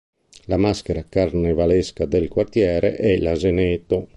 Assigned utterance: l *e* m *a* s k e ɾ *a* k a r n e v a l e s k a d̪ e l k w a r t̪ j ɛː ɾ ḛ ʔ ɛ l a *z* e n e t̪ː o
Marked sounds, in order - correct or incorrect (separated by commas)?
incorrect, correct, correct, correct